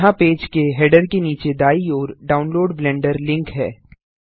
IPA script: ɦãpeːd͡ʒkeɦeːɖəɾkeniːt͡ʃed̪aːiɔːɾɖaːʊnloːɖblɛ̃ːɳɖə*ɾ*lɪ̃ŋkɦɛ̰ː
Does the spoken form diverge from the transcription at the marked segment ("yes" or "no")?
no